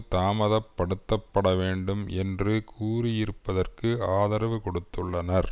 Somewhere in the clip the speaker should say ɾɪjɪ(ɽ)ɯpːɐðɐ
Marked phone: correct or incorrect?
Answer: incorrect